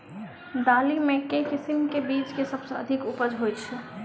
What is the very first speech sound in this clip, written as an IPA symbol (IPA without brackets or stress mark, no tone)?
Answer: d̪